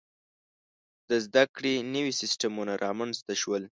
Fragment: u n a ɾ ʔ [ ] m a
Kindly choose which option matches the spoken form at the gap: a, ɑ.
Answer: ɑ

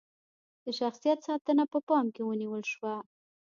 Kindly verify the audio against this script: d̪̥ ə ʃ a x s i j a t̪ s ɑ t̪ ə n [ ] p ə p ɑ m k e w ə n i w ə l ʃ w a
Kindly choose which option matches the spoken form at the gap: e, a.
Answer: a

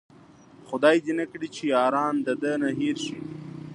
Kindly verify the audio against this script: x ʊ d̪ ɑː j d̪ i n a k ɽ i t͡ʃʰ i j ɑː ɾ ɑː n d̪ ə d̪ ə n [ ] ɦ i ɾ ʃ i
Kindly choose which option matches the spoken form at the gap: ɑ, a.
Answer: a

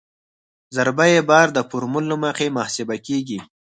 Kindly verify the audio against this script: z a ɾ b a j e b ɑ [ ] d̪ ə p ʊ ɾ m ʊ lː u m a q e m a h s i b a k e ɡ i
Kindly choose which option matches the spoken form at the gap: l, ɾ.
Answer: ɾ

